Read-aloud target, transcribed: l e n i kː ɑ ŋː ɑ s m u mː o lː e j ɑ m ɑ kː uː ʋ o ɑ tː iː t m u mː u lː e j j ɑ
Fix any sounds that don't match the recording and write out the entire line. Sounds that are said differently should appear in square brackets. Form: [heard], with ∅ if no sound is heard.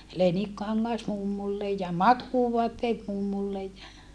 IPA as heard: l e n i kː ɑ ŋː ɑ s m u mː [u] lː e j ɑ m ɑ kː uː ʋ o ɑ tː [eː] t m u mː u lː e j j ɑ